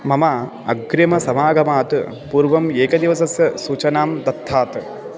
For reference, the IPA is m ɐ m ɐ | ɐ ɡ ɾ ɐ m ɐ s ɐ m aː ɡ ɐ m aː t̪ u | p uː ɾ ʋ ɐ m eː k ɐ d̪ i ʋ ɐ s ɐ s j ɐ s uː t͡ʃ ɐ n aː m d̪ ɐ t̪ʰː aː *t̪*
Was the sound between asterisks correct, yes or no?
yes